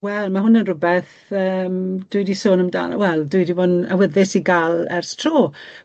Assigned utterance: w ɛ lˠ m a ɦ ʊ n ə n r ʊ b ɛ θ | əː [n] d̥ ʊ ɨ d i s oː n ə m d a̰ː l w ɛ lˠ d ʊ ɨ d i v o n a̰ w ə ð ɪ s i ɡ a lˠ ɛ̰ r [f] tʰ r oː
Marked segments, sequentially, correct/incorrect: incorrect, incorrect

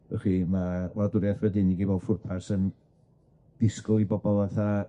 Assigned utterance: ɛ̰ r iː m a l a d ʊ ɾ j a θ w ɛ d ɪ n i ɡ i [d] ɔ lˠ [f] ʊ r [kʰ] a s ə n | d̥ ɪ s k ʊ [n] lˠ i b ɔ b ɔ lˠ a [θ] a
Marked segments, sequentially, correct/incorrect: incorrect, correct, incorrect, incorrect, correct

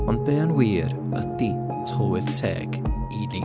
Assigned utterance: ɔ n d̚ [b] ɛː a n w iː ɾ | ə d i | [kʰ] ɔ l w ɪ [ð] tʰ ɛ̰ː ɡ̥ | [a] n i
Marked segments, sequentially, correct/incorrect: correct, incorrect, correct, incorrect

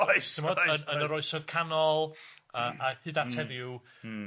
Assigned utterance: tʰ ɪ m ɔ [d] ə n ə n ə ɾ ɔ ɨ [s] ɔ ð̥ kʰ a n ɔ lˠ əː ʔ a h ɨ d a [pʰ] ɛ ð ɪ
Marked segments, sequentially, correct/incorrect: correct, correct, incorrect

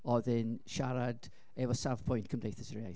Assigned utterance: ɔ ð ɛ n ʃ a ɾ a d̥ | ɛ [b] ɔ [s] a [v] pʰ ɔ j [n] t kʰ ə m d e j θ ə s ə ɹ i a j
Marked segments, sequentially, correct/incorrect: incorrect, correct, correct, correct

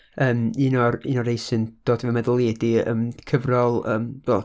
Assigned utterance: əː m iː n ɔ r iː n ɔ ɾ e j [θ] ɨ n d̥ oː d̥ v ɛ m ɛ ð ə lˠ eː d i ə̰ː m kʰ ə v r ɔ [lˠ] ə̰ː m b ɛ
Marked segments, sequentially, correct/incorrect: incorrect, correct

